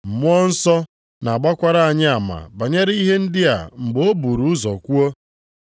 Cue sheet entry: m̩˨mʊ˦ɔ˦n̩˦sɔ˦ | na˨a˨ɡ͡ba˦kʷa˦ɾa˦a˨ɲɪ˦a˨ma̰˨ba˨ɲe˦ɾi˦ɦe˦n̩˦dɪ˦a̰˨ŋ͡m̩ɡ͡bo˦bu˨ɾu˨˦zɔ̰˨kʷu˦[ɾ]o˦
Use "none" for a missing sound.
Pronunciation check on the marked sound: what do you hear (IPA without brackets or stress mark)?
none